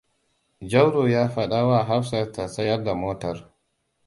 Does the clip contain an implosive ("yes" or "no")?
yes